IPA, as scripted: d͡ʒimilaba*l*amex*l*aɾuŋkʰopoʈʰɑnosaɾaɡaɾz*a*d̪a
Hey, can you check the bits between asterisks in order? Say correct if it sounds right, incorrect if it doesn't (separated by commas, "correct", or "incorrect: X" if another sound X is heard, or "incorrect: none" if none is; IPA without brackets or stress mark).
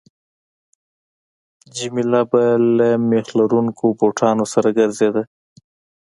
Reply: correct, correct, incorrect: e